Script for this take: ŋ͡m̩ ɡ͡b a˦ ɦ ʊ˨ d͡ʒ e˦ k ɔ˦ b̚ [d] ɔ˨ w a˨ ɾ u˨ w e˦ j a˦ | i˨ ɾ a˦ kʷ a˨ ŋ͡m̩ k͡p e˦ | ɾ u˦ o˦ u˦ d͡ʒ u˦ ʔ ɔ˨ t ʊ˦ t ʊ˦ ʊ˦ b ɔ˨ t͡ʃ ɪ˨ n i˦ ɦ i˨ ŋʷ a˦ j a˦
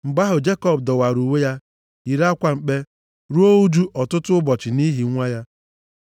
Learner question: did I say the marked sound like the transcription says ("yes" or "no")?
yes